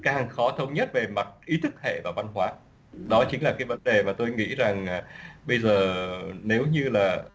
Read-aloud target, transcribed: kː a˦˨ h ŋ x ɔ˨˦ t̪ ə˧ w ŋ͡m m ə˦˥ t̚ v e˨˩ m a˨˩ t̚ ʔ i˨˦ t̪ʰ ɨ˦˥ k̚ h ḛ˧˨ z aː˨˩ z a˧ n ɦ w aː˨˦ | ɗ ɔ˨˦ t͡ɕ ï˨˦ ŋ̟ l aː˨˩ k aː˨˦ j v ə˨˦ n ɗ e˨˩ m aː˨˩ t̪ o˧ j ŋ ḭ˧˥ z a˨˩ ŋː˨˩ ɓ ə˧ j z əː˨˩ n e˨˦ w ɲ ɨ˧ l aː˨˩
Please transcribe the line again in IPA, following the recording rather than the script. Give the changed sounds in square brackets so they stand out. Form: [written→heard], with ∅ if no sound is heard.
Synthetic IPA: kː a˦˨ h ŋ x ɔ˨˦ [t̪→t̪ʰ] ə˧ w ŋ͡m [m→ɲ] ə˦˥ t̚ v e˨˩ m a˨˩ t̚ ʔ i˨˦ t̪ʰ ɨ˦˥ k̚ h ḛ˧˨ [z→v] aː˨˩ [z→v] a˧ n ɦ w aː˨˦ | ɗ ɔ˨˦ t͡ɕ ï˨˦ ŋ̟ l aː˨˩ k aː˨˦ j v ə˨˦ n ɗ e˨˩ m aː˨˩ t̪ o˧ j ŋ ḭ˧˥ z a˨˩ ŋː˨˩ ɓ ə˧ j z əː˨˩ n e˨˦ w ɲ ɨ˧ l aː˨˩

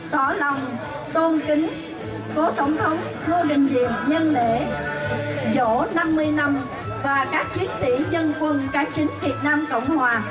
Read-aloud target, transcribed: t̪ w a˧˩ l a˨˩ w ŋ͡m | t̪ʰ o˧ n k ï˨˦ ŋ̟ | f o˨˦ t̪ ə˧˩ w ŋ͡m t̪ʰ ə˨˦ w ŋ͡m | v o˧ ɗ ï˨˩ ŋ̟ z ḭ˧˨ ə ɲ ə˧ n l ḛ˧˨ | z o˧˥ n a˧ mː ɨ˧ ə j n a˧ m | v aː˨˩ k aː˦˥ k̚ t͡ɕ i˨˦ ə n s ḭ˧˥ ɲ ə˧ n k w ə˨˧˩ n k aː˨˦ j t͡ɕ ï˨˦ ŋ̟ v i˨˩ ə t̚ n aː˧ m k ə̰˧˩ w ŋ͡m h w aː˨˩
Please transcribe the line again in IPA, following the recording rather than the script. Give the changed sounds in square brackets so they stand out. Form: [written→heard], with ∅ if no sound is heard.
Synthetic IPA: t̪ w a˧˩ l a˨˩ w ŋ͡m | [t̪ʰ→t̪] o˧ n k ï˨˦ ŋ̟ | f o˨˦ t̪ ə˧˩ w ŋ͡m t̪ʰ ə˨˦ w ŋ͡m | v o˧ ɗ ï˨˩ ŋ̟ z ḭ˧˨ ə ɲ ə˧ n l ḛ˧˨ | z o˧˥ n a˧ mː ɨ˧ ə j n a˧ m | v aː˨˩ k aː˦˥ k̚ t͡ɕ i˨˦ ə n s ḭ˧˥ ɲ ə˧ n k w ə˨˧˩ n k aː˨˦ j t͡ɕ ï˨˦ ŋ̟ v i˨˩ ə t̚ n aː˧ m k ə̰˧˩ w ŋ͡m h w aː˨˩

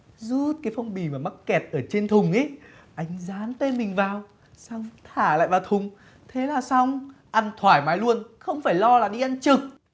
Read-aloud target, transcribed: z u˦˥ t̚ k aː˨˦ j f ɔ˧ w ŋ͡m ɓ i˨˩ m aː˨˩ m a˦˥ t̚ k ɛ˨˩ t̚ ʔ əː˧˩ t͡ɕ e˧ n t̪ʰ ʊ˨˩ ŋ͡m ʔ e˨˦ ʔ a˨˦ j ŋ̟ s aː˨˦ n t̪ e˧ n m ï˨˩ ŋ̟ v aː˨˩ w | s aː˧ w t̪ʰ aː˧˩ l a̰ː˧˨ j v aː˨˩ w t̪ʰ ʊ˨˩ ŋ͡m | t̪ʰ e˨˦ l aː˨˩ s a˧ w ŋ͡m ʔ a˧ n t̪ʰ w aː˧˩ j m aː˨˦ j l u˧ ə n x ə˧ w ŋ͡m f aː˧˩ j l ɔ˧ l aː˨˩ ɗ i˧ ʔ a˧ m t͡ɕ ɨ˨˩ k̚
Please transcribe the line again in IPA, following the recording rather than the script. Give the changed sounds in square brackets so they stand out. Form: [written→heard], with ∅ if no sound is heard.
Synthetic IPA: z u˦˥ t̚ k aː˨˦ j f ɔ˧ w ŋ͡m ɓ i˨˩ m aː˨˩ m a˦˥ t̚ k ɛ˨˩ t̚ ʔ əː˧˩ t͡ɕ e˧ n t̪ʰ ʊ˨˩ ŋ͡m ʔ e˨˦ ʔ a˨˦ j ŋ̟ [s→z] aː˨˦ n t̪ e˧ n m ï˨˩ ŋ̟ v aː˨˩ w | s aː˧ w t̪ʰ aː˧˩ l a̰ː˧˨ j v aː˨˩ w t̪ʰ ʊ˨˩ ŋ͡m | t̪ʰ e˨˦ l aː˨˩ s a˧ w ŋ͡m ʔ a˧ n t̪ʰ w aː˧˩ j m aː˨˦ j l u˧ ə n x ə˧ w ŋ͡m f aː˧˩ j l ɔ˧ l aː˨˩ ɗ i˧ ʔ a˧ [m→n] t͡ɕ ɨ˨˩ k̚

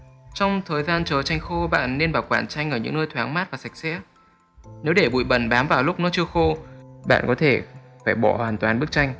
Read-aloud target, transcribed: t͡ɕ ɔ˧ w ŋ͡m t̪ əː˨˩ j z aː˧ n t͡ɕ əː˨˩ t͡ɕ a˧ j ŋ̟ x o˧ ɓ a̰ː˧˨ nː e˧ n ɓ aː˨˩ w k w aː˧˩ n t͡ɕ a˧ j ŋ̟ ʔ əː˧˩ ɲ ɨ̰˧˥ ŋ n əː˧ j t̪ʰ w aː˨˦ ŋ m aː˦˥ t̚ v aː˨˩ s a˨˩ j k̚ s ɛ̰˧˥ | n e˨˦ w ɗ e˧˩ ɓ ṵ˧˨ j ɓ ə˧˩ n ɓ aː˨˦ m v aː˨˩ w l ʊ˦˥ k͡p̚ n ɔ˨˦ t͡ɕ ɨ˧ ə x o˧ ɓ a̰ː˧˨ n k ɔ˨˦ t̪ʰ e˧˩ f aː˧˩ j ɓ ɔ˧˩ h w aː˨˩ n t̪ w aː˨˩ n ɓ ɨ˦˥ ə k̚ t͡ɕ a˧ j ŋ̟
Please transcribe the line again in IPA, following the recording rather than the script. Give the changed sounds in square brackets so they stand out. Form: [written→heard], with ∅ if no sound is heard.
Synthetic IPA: t͡ɕ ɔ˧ w ŋ͡m [t̪→t̪ʰ] əː˨˩ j z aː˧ n t͡ɕ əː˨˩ t͡ɕ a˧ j ŋ̟ x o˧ ɓ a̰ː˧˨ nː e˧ n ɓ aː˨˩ w k w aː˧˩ n t͡ɕ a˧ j ŋ̟ ʔ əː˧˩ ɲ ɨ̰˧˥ ŋ n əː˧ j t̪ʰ w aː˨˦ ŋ m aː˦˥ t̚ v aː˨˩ s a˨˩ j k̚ s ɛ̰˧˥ | n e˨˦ w ɗ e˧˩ ɓ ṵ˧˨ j ɓ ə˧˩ n ɓ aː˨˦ m v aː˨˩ w l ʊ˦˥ k͡p̚ n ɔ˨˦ t͡ɕ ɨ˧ ə x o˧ ɓ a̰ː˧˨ n k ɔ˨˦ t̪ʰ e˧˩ f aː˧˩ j ɓ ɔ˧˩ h w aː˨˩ n t̪ w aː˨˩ n ɓ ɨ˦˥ ə k̚ t͡ɕ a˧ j ŋ̟

